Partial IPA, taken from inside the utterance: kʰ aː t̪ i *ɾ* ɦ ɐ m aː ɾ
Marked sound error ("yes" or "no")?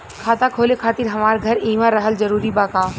no